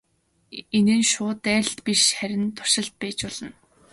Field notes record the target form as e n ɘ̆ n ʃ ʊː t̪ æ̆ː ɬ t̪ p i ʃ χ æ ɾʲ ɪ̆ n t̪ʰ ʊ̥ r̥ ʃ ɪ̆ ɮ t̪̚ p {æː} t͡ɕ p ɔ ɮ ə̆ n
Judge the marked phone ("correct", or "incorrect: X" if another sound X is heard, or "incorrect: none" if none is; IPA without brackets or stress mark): correct